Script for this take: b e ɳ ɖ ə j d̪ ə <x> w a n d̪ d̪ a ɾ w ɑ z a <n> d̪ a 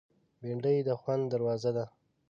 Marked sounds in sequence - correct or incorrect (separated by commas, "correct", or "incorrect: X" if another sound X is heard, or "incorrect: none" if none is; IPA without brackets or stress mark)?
correct, incorrect: none